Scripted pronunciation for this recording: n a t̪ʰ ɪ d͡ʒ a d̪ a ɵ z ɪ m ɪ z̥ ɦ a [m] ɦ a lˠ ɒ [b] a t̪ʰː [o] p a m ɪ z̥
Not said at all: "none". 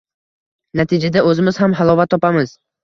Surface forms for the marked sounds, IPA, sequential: m, v, ɒ

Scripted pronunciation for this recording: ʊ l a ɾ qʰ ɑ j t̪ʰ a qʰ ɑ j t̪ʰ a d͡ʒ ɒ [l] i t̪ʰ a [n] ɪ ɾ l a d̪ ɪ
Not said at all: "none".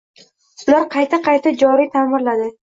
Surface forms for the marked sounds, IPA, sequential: ɾ, m

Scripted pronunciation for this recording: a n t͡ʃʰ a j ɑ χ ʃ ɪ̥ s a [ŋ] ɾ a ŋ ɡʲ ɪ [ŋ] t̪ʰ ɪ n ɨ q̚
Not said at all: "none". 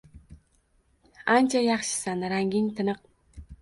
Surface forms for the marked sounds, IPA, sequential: n, ŋ

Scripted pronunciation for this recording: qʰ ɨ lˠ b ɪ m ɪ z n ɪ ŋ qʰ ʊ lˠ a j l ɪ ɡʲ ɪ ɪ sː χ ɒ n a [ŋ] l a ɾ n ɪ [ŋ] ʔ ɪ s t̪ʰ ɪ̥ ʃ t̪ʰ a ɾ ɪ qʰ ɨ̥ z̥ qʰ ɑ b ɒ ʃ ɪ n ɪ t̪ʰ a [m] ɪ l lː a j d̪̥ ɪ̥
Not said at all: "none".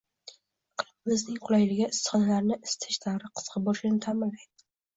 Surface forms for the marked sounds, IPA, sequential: none, none, m

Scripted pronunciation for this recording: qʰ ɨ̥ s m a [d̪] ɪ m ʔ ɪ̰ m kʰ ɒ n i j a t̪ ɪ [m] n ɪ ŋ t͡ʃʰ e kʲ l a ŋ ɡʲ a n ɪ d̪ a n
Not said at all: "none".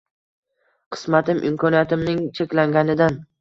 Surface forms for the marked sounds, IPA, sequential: t̪, m

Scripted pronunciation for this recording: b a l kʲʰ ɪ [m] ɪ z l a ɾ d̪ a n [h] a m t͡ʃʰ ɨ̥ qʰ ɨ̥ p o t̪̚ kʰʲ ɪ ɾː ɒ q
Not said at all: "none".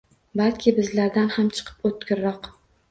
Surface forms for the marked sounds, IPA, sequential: b, h

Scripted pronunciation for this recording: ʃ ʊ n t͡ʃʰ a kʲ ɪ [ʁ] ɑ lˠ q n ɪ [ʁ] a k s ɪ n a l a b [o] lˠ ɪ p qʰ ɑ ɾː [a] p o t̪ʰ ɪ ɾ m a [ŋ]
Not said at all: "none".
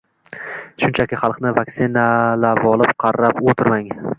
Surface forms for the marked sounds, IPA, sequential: χ, v, ɒ, a, ŋ

